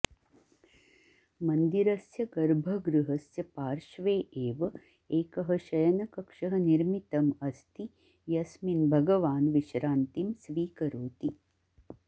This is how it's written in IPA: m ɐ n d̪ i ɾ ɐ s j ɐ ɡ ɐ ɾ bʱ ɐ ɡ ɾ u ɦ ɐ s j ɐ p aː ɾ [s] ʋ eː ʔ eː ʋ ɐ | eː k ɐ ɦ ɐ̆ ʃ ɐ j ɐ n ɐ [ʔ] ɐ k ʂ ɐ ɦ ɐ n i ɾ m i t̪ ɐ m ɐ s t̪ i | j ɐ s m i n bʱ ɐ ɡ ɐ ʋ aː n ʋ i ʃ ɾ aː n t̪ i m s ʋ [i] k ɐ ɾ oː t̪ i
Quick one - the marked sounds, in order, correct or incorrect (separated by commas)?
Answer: incorrect, incorrect, incorrect